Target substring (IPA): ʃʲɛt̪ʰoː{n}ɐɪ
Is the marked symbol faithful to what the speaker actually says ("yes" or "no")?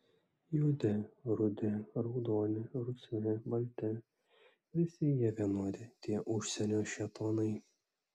yes